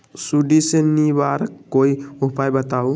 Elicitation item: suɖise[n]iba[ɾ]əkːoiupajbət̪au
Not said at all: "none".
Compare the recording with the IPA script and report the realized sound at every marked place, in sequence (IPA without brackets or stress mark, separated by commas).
n, ɾ